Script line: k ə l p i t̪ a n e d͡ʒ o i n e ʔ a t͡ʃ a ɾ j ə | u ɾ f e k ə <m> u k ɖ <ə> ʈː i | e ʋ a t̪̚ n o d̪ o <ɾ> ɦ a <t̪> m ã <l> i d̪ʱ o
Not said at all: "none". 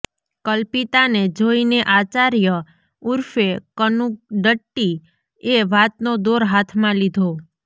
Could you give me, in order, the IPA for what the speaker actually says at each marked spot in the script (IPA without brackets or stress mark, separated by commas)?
n, ə, ɾ, t̪ʰ, l